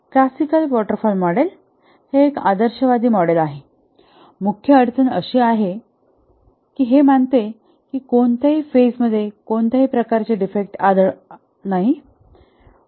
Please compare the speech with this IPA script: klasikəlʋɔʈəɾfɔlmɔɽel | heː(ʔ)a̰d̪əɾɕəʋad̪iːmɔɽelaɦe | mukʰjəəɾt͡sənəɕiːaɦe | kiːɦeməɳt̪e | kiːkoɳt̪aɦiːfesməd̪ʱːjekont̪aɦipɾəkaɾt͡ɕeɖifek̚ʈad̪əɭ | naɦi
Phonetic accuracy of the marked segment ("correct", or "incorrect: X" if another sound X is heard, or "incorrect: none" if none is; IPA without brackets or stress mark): incorrect: k